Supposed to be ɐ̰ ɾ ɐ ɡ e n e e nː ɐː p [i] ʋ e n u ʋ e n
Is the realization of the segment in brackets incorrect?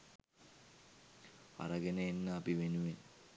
no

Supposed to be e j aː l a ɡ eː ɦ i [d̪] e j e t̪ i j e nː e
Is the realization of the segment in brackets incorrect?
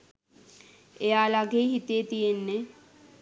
yes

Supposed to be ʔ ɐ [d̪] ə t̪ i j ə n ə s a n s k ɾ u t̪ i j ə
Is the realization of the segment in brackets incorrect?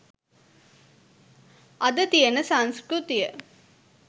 no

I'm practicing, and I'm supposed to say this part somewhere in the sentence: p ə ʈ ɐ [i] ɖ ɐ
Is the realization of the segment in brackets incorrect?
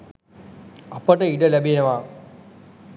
no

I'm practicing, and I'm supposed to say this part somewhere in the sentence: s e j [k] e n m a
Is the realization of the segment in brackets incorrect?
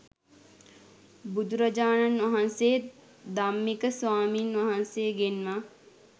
yes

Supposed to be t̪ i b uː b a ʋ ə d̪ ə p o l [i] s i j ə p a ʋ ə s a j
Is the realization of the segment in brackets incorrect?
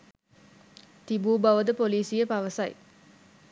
yes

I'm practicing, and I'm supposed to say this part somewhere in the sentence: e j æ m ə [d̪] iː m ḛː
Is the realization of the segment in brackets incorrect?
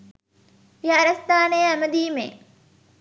no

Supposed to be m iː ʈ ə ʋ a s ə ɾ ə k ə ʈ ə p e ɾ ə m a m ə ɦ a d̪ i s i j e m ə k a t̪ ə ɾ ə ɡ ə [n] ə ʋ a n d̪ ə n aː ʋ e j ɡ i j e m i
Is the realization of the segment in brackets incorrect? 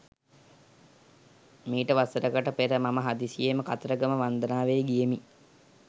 yes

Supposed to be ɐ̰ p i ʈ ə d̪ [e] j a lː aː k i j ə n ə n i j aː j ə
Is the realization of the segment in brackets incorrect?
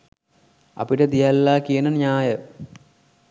yes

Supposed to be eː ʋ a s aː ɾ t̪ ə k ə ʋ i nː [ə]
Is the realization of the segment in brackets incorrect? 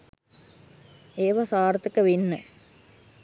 no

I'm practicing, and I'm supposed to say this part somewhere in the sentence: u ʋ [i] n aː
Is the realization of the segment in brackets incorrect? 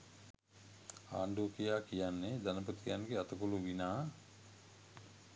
no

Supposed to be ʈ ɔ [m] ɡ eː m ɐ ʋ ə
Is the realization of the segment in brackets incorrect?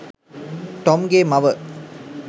no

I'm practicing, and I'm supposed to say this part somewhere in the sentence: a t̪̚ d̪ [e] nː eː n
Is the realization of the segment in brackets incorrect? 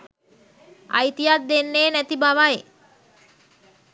no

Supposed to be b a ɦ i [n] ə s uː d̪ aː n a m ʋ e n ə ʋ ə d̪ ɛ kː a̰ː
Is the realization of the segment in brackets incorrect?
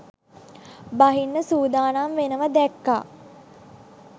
yes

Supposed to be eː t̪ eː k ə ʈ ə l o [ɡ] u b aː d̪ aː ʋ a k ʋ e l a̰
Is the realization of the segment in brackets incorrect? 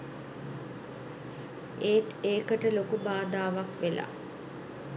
yes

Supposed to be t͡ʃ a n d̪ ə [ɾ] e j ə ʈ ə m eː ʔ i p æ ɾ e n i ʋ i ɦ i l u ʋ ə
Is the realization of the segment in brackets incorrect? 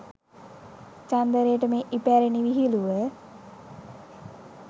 no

